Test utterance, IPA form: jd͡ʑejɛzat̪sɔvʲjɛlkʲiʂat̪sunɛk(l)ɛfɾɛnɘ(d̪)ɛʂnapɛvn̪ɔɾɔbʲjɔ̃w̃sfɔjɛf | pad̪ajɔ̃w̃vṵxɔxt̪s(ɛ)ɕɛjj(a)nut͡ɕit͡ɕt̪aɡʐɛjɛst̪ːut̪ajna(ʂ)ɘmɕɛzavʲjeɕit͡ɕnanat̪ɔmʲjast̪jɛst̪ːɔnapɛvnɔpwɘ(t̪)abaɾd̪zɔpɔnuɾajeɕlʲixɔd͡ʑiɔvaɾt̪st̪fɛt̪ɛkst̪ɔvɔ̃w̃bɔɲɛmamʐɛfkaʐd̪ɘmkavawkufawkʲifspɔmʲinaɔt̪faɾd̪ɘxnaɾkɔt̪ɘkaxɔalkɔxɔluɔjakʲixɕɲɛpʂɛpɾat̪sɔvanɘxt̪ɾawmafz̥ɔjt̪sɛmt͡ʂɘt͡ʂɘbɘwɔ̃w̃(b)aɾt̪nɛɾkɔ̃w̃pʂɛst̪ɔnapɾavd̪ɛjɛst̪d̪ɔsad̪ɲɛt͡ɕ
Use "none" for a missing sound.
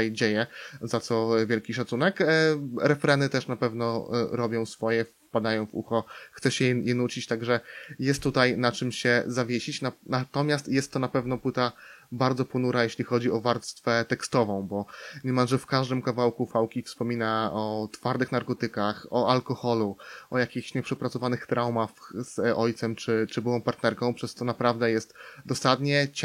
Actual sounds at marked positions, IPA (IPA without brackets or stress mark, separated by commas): ɾ, t̪, ɛ, ɛ, t͡ʂ, t̪, p